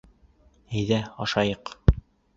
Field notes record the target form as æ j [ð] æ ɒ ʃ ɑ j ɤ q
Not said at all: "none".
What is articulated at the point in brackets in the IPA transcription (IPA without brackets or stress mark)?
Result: ð